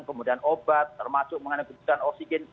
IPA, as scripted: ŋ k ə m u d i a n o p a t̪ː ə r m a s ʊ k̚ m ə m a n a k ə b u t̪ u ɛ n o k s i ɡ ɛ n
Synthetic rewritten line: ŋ k ə m u d i a n o b a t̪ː ə r m a s ʊ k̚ m ə ŋ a n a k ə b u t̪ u a n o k s i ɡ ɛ n

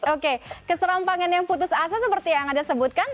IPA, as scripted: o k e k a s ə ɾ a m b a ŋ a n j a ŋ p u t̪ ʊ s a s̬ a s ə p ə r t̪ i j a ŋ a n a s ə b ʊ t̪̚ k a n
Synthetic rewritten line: o k e k ə s ə ɾ a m p a ŋ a n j a ŋ p u t̪ ʊ s a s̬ a s ə p ə r t̪ i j a ŋ a d a s ə b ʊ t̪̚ k a n

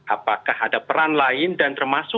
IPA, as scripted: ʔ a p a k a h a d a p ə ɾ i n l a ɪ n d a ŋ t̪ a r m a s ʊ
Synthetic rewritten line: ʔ a p a k a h a d a p ə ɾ a n l a ɪ n d a n t̪ ə r m a s ʊ

